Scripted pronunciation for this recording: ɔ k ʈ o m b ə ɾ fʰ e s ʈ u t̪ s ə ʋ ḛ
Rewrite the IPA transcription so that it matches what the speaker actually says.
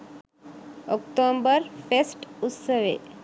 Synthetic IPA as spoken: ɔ k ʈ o m b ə ɾ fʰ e s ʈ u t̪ s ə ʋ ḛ

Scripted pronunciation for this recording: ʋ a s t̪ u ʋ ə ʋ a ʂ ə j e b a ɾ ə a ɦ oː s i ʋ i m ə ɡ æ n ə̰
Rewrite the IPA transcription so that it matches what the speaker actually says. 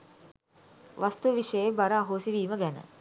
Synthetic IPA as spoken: ʋ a s t̪ u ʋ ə ʋ i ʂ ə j e b a ɾ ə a ɦ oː s i ʋ iː m ə ɡ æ n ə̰

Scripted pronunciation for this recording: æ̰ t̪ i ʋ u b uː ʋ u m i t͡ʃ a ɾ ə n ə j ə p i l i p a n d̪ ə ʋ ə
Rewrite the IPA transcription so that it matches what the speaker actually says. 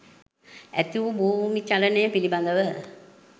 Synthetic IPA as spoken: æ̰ t̪ i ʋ u b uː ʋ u m i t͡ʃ a l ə n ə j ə p i l i b a n d̪ ə ʋ ə

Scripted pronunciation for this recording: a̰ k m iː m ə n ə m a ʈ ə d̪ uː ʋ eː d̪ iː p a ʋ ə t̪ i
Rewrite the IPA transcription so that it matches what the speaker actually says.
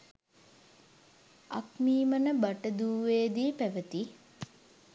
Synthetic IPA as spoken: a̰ k m iː m ə n ə b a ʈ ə d̪ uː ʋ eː d̪ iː p æ ʋ ə t̪ i

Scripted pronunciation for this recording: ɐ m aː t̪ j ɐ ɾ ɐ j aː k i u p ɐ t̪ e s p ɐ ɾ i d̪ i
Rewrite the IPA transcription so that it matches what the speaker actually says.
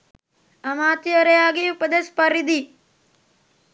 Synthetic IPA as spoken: ɐ m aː t̪ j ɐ ɾ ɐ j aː ɡ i u p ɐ d̪ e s p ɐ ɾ i d̪ i

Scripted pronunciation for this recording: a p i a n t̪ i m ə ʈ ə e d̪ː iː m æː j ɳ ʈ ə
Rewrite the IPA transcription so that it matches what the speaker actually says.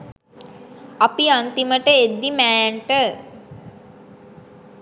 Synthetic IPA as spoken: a p i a n t̪ i m ə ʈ ə e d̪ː i m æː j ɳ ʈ ə

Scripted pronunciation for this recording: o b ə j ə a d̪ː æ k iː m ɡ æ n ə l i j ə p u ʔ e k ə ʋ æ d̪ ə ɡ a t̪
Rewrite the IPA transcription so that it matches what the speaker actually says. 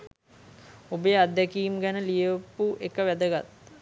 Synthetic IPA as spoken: o b ə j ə a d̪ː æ k iː m ɡ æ n ə l i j ə p u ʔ e k ə ʋ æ d̪ ə ɡ a t̪

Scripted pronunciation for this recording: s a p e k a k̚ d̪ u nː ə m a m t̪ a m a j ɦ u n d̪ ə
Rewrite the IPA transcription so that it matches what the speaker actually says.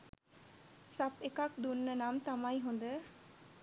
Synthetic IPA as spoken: s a p e k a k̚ d̪ u nː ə n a m t̪ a m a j ɦ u n d̪ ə

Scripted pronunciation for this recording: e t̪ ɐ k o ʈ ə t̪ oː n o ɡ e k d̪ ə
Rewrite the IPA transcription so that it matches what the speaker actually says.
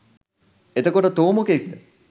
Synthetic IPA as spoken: e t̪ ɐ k o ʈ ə t̪ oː m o k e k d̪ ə

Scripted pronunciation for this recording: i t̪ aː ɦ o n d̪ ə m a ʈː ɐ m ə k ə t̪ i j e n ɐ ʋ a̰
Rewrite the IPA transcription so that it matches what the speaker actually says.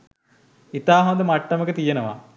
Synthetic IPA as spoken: i t̪ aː ɦ o n d̪ ə m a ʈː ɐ m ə k ə t̪ i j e n ə ʋ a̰

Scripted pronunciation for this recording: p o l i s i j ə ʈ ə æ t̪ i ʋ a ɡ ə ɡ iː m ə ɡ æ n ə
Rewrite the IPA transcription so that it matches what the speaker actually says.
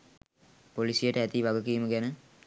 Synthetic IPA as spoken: p o l i s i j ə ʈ ə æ t̪ i ʋ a ɡ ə k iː m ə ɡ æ n ə

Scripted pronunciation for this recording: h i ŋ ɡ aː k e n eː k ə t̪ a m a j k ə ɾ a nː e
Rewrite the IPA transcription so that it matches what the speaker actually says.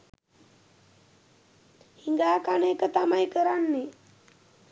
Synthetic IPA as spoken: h i ŋ ɡ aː k a n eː k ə t̪ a m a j k ə ɾ a nː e

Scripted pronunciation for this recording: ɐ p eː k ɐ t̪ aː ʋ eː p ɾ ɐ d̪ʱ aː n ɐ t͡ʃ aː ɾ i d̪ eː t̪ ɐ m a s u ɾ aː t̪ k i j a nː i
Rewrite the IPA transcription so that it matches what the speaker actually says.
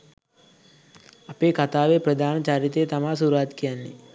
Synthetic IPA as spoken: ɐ p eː k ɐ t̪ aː ʋ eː p ɾ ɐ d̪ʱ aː n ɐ t͡ʃ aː ɾ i t̪ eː t̪ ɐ m a s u ɾ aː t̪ k i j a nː i

